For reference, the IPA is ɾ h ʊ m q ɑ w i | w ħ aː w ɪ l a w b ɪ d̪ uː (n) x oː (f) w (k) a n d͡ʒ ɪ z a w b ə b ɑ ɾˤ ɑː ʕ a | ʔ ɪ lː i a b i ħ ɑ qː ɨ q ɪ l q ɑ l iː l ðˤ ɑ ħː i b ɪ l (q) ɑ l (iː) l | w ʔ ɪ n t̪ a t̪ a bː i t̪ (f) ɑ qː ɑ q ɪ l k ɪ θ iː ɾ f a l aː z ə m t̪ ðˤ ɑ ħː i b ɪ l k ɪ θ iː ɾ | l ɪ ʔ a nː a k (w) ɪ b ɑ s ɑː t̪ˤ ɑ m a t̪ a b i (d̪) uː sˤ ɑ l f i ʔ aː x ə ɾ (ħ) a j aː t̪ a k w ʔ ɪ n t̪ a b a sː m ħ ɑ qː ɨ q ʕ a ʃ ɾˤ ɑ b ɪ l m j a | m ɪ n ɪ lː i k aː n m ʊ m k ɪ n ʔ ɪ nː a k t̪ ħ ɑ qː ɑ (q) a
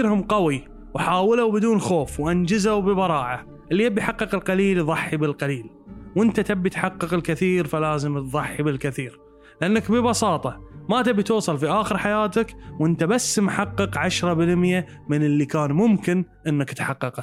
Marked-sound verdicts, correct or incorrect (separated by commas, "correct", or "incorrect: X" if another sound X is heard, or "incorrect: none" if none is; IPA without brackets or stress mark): correct, correct, incorrect: ʔ, correct, correct, incorrect: ħ, incorrect: b, incorrect: t̪, correct, correct